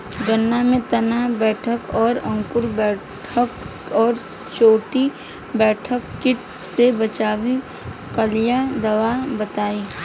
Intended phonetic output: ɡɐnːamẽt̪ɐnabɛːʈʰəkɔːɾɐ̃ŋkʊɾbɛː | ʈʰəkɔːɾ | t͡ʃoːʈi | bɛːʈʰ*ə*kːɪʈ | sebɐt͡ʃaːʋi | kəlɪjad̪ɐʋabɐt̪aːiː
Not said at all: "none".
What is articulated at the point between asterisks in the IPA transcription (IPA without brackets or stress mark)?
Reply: ə